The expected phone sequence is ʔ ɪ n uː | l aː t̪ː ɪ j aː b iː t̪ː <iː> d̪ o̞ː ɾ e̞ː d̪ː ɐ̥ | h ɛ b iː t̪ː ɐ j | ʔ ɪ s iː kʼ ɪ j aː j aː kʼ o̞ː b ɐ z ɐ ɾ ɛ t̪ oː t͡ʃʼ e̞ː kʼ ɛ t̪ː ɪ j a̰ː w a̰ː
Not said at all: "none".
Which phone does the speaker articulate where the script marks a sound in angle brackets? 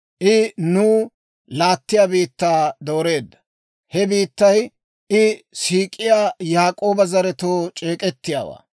aː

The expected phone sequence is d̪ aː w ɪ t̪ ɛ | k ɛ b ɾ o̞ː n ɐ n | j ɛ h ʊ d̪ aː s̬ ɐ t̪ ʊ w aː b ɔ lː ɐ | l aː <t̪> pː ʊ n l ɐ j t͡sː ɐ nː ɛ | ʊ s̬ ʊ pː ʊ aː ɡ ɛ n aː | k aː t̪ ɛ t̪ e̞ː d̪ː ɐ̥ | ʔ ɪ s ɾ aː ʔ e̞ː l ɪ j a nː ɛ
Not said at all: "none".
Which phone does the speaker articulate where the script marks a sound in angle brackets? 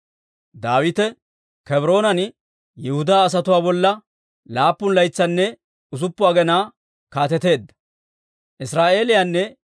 none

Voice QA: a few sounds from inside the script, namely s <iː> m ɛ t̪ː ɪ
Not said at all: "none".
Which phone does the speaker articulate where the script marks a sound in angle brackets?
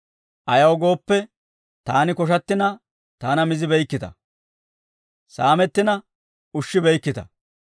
aː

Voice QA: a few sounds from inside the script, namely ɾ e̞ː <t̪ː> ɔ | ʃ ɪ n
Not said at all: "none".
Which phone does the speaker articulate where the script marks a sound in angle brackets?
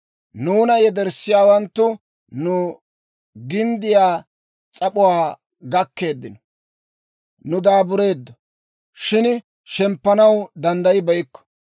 d̪ː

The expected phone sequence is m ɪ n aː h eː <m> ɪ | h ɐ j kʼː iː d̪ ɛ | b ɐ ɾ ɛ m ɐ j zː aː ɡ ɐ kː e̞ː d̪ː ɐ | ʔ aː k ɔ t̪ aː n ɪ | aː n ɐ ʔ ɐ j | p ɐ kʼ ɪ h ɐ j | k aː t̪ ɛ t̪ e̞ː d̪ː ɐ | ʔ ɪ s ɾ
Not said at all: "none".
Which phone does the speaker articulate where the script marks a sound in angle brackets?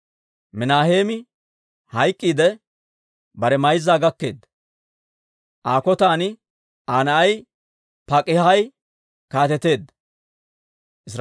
m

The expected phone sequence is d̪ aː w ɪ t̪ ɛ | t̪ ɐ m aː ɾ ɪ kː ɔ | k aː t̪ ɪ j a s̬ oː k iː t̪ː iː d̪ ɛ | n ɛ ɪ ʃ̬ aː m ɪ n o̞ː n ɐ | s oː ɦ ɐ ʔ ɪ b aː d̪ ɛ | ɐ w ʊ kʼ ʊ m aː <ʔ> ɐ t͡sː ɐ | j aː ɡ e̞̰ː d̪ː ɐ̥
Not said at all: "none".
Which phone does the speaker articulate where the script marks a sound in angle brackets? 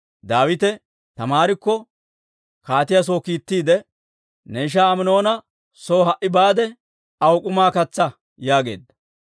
k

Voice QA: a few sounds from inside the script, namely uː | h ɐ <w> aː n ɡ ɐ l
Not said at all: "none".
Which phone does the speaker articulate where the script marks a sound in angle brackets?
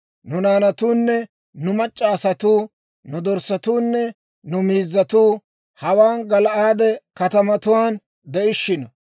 w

